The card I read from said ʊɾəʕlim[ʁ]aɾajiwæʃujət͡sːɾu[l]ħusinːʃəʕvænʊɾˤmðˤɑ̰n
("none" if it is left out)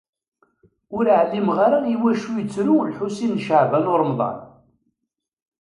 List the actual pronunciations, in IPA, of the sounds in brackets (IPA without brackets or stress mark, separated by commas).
ʁ, l